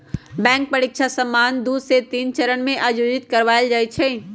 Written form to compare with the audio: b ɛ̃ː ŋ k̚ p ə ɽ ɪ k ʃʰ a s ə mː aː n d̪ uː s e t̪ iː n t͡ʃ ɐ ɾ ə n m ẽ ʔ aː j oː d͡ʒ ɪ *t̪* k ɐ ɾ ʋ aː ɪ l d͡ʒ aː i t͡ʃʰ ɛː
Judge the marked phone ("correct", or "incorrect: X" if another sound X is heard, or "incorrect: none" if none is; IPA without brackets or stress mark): correct